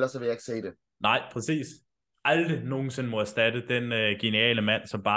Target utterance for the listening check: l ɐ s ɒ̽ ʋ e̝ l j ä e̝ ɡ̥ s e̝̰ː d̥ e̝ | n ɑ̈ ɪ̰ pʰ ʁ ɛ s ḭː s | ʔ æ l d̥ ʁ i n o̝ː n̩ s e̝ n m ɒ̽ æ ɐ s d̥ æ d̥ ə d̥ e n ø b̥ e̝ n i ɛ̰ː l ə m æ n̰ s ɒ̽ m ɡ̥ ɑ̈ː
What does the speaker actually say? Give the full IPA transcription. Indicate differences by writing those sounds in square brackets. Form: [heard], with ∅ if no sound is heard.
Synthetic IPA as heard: l ɐ s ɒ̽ ʋ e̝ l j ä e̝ ɡ̥ s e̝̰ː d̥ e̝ | n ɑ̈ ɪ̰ pʰ ʁ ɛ s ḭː s | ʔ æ l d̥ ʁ i n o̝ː n̩ s e̝ n m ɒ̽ æ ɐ s d̥ æ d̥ ə d̥ e n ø [ɡ̥] e̝ n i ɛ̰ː l ə m æ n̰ s ɒ̽ m [b̥] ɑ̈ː